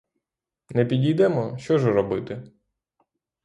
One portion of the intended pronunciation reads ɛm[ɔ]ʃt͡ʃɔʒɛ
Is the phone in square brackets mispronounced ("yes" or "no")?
no